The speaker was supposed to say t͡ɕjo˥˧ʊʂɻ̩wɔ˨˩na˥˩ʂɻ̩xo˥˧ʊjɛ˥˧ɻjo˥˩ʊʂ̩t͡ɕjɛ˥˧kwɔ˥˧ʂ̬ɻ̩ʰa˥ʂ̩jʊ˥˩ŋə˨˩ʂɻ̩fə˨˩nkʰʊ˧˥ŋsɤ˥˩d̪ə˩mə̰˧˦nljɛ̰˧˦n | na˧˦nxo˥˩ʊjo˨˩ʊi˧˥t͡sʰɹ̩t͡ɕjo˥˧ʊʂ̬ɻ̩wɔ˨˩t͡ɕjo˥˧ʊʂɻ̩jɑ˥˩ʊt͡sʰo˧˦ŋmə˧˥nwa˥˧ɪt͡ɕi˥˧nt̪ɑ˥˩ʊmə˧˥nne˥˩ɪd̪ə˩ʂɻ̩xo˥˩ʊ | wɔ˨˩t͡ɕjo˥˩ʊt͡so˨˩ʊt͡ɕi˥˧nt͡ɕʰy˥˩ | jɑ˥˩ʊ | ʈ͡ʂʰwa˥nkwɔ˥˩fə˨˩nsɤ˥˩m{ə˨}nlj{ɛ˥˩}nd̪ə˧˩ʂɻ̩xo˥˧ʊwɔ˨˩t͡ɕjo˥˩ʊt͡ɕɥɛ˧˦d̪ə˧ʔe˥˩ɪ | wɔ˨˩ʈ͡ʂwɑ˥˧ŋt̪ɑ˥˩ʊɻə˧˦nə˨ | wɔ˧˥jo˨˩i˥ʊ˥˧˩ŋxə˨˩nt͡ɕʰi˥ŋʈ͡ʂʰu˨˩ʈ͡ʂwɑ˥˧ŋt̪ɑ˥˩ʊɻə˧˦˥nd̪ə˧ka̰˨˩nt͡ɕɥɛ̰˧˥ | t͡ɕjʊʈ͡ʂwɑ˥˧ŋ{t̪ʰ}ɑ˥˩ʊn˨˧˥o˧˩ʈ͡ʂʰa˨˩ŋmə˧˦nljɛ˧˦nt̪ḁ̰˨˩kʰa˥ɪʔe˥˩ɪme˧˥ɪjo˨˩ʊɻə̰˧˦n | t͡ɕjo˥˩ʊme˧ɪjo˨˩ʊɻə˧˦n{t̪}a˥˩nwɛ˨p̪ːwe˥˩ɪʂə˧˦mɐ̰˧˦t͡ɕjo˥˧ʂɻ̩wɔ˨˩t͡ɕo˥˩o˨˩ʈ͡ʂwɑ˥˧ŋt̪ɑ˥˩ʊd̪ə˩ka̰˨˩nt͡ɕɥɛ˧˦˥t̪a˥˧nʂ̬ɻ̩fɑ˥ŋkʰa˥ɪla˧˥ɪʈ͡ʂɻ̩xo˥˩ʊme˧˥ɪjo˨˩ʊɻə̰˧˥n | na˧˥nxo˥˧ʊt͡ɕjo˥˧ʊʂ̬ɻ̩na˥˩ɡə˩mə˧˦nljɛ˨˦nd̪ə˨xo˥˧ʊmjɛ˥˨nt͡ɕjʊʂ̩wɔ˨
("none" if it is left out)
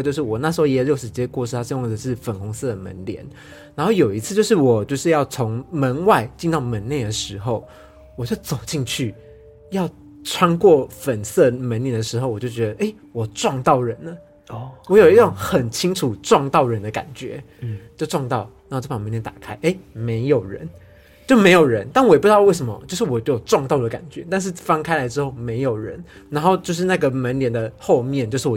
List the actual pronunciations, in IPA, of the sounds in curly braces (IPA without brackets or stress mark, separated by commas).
ə˧˥, ɛ˧˥, t̪, t̪